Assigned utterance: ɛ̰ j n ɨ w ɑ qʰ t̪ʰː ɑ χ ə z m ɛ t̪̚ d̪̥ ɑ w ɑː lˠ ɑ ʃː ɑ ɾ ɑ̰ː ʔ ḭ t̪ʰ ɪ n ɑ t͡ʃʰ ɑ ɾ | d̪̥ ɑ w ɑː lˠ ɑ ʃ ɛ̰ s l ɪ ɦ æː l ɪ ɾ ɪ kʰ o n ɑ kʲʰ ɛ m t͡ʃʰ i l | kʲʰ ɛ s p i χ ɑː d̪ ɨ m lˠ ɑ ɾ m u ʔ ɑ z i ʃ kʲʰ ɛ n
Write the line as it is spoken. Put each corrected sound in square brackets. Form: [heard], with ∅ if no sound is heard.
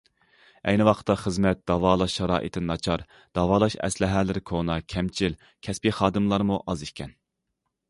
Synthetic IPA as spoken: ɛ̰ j n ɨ w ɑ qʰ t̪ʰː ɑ χ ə z m ɛ t̪̚ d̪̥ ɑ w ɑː lˠ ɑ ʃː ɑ ɾ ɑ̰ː ʔ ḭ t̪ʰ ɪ n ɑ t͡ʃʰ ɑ ɾ | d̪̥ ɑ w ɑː lˠ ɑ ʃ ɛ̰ s l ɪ ɦ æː l ɪ ɾ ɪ kʰ o n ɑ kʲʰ ɛ m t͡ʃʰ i l | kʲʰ ɛ s p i χ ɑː d̪ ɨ m lˠ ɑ ɾ m u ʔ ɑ z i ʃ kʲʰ ɛ n